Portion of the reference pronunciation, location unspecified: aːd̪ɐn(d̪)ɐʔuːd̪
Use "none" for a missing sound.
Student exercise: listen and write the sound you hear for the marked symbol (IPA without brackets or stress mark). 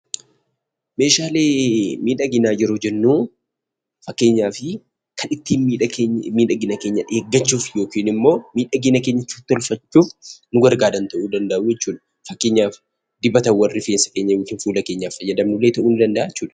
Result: t̪